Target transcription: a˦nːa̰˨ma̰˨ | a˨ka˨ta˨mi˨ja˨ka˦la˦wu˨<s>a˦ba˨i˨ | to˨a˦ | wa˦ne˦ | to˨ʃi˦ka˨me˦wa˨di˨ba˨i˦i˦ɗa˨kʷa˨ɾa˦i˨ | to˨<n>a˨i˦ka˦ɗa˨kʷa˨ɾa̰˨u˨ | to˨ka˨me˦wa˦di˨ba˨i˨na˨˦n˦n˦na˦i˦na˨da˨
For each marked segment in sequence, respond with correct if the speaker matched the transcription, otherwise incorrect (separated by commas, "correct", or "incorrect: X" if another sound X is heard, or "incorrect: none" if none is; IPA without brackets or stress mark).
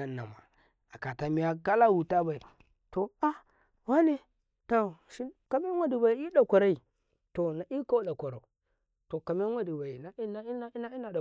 incorrect: t, correct